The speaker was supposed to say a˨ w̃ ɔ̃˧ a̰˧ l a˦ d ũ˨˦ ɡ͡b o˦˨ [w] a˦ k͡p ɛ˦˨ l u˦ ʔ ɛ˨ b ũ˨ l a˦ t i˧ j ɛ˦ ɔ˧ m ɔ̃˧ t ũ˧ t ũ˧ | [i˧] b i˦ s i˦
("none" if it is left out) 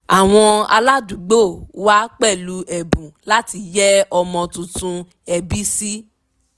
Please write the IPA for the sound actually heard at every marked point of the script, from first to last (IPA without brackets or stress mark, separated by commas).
w, ɛ˧